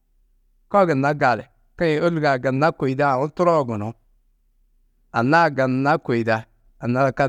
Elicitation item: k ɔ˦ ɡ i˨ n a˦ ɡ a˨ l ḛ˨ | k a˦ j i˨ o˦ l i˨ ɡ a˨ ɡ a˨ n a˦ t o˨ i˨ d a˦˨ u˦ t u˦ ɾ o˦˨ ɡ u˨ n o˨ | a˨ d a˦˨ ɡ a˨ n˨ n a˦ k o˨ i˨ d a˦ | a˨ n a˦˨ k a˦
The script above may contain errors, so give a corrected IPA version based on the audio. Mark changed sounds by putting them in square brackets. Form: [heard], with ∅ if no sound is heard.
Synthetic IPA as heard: k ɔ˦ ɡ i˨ n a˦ ɡ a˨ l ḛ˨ | k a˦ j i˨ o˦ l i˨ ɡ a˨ ɡ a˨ n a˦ [k] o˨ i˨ d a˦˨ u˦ t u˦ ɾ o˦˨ ɡ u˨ n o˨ | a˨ [n] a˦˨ ɡ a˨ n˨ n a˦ k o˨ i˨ d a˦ | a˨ n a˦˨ k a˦

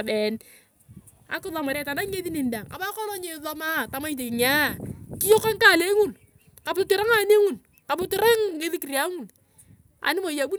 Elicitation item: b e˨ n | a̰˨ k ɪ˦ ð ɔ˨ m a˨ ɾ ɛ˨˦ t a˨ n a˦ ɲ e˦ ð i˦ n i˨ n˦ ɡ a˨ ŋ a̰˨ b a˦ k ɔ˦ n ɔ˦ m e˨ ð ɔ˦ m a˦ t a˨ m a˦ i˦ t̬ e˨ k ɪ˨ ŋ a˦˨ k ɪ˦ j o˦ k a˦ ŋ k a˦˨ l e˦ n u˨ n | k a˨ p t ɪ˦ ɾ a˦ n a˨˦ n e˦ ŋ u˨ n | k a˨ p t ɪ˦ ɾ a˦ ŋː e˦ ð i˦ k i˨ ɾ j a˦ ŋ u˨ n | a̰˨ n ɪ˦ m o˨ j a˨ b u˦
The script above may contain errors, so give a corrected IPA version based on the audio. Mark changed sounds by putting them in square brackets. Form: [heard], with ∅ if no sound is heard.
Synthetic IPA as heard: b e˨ n | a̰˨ k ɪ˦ ð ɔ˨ m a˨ ɾ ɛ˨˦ t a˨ n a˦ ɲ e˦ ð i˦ n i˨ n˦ [d] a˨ ŋ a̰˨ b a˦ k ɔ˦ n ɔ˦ [ɲ] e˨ ð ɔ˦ m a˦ t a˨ m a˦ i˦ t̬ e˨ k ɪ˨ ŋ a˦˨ k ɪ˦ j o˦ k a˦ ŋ k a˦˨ l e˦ [ŋ] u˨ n | k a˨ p t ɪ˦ ɾ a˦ [ŋ] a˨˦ n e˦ ŋ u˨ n | k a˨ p t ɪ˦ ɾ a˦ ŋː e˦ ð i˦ k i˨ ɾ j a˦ ŋ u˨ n | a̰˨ n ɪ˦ m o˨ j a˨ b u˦

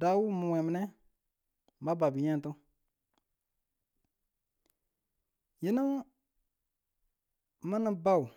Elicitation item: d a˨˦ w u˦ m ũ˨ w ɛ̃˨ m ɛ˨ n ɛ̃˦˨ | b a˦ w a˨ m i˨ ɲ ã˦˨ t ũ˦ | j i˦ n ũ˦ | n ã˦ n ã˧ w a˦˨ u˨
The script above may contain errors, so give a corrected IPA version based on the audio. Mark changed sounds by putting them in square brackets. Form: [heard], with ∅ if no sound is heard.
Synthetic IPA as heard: d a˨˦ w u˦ m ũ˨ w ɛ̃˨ m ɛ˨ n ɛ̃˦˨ | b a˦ [b] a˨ [b] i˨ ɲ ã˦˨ t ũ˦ | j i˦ n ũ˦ | [m] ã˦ n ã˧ [b] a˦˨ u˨

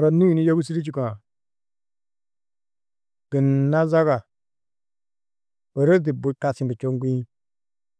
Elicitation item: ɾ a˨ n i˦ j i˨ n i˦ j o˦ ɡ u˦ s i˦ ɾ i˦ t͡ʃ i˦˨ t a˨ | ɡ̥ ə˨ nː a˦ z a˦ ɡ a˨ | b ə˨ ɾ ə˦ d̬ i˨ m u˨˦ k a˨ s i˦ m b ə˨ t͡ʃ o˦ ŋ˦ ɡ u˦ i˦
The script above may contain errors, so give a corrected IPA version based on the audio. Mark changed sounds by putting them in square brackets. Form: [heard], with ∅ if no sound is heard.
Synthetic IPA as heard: ɾ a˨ n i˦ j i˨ n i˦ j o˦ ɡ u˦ s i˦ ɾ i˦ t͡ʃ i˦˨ [k] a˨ | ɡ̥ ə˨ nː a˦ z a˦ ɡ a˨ | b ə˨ ɾ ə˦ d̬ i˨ [b] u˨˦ k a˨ s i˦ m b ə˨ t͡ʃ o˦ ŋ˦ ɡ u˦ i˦

